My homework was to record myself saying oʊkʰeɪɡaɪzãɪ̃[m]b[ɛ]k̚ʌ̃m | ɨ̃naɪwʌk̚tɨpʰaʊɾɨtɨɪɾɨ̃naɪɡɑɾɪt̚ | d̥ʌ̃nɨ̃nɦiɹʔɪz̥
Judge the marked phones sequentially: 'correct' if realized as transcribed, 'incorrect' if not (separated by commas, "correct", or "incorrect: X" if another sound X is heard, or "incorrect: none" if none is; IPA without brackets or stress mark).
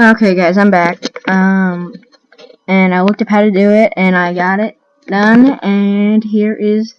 correct, incorrect: æ